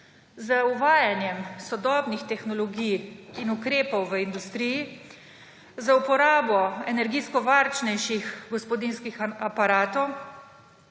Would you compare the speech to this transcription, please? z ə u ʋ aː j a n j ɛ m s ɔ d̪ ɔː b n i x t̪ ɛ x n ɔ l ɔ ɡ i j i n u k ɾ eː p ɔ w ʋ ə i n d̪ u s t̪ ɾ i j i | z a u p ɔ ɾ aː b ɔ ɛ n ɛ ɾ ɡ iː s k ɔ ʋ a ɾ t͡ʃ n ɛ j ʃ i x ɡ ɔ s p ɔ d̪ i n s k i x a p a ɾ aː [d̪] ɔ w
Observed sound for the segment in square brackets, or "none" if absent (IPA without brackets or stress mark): t̪